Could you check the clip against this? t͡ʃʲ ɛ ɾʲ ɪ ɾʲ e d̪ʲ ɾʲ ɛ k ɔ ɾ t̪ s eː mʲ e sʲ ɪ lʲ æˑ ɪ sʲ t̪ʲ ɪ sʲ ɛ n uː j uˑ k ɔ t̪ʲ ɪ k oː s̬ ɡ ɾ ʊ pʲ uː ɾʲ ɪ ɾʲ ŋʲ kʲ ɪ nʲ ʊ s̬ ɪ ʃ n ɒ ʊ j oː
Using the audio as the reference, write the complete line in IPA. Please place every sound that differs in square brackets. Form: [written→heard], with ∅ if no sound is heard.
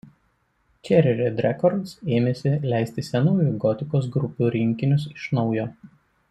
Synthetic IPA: t͡ʃʲ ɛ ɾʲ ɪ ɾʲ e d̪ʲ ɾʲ ɛ k ɔ ɾ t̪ s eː mʲ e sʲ ɪ lʲ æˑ ɪ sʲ t̪ʲ ɪ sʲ ɛ n uː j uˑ [k→ɡ] ɔ t̪ʲ ɪ k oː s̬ ɡ ɾ ʊ pʲ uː ɾʲ ɪ [ɾʲ→∅] ŋʲ kʲ ɪ nʲ ʊ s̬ ɪ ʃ n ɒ ʊ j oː